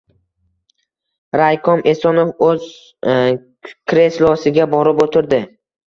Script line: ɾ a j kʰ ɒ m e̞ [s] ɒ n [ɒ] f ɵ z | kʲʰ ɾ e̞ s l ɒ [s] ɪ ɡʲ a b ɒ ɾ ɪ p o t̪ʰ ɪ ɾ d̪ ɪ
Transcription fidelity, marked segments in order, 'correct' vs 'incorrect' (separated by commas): correct, incorrect, correct